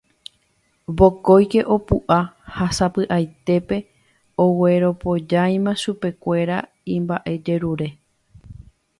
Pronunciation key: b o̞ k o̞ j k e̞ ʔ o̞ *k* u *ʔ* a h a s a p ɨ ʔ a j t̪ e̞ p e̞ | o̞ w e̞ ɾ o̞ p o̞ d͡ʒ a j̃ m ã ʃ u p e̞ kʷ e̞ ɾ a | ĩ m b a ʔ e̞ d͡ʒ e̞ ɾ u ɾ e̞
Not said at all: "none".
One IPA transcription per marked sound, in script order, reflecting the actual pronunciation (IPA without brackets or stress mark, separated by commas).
p, ʔ